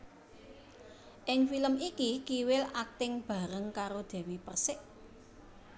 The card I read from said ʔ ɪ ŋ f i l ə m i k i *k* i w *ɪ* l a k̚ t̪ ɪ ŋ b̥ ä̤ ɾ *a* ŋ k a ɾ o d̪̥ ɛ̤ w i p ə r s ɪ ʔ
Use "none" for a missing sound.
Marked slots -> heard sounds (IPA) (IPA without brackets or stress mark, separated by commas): k, ɪ, ə